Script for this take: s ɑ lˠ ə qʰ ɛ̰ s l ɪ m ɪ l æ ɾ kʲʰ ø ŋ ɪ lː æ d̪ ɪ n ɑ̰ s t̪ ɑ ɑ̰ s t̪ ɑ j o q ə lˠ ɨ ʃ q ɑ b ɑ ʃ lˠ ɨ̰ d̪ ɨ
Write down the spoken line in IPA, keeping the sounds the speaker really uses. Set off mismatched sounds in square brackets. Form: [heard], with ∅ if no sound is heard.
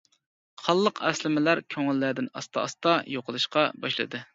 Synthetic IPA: [χ] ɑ [lˠː] ə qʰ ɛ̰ s l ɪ m ɪ l æ ɾ kʲʰ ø ŋ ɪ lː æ d̪ ɪ n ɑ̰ s t̪ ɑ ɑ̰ s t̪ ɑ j o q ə lˠ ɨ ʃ q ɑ b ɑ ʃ lˠ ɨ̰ d̪ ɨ